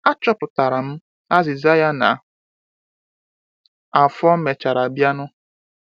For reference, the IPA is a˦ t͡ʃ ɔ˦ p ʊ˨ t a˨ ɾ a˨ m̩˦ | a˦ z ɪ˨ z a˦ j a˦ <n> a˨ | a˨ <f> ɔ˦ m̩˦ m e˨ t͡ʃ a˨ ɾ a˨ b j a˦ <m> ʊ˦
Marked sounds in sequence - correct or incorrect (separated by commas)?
correct, correct, incorrect